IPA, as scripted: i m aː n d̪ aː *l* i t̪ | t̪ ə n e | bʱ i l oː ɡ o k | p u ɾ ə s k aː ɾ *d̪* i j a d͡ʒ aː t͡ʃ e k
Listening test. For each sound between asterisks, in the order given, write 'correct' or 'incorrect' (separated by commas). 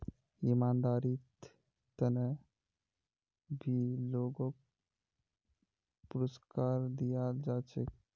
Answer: incorrect, correct